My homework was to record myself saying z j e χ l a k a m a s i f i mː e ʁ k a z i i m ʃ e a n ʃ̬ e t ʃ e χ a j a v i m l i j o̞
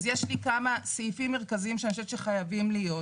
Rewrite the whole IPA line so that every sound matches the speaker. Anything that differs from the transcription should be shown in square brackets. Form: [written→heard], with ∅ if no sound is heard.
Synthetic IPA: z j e [χ→ʃ] l [a→i] k a m a s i f i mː e ʁ k a z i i m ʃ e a n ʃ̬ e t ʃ e χ a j a v i m l i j o̞

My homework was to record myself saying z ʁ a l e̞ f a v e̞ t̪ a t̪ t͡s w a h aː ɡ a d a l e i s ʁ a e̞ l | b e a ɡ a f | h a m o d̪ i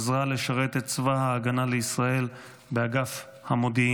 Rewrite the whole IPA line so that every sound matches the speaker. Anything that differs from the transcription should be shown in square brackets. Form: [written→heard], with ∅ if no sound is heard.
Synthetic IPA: z ʁ a l e̞ [f→ʃ] a [v→ʁ] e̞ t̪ [a→e] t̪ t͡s [w→v] a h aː ɡ a [d→n] a l e i s ʁ a e̞ l | b e a ɡ a f | h a m o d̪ i

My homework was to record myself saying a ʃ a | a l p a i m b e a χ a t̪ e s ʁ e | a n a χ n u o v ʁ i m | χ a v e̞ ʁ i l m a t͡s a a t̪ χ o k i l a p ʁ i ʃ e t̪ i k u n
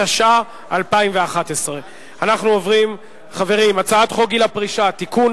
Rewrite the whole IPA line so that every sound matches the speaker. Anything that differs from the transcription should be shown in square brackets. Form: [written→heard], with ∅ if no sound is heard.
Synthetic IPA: a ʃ a | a l p a i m [b→v] e a χ a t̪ e s ʁ e | a n a χ n u o v ʁ i m | χ a v e̞ ʁ i [l→∅] m a t͡s a a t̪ χ o [k→ɡ] i l a p ʁ i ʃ [e→a] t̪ i k u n

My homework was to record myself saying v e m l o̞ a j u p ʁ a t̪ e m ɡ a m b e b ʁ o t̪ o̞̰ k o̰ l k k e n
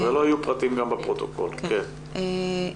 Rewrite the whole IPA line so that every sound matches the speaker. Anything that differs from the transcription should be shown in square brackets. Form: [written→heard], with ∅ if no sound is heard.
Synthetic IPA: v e [m→∅] l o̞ a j u p ʁ a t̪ [e→i] m ɡ a m b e [b→p] ʁ o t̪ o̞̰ k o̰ l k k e n

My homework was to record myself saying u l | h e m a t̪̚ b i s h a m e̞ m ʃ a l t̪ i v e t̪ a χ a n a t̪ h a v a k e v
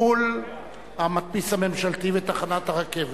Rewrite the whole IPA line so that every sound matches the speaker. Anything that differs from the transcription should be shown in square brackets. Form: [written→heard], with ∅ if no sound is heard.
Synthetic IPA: u l | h [e→a] m a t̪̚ [b→p] i s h a m e̞ m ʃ a l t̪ i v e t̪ a χ a n a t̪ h a [v→ʁ] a k e v

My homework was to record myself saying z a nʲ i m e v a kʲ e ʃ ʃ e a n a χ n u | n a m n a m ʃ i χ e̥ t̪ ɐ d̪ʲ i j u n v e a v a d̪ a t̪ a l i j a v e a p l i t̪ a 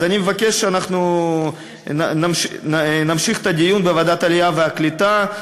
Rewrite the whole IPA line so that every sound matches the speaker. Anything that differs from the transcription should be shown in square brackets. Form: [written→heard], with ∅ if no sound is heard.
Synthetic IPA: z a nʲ i m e v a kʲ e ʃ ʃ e a n a χ n u | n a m n a m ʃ i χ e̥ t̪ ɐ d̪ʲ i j u n [v→b] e a v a d̪ a t̪ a l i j a v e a [p→k] l i t̪ a

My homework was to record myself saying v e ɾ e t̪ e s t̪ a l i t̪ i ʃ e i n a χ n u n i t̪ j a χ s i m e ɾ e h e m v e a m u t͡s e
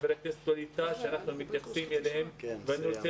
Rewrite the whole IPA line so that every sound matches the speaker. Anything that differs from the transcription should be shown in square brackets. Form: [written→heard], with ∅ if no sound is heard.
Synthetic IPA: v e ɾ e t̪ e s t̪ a l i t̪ [i→a] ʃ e [i→a] n a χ n u [n→m] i t̪ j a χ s i m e [ɾ→l] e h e m v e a [m→n] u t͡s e

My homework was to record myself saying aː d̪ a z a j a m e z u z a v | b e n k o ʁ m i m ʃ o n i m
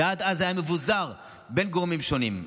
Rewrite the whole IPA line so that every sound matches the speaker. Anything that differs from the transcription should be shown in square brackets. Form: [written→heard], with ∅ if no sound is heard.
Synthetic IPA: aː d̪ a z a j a m e [z→v] u z a [v→ʁ] | b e n [k→ɡ] o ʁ m i m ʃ o n i m

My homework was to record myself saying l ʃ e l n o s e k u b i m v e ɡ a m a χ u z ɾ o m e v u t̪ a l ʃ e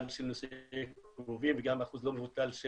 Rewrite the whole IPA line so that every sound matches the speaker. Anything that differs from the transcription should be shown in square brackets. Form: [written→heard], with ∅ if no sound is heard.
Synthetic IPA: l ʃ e l n o s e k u [b→v] i m v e ɡ a m a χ u z [ɾ→l] o m e v u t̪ a l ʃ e

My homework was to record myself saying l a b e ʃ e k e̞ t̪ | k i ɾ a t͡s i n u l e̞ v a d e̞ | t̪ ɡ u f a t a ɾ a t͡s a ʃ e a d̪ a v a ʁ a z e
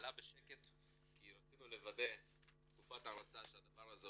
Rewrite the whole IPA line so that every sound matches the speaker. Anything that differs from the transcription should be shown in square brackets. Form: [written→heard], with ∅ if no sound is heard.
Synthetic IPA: l a b e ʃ e k e̞ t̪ | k i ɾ a t͡s i n u l e̞ v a d e̞ | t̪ [ɡ→k] u f a t a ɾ a t͡s a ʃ e a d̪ a v a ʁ a z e

